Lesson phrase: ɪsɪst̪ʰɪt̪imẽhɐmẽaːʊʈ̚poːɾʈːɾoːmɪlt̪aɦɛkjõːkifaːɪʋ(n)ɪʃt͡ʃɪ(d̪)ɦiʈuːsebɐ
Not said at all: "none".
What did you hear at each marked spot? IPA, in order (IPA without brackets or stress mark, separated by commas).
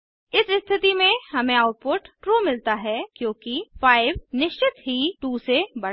n, t̪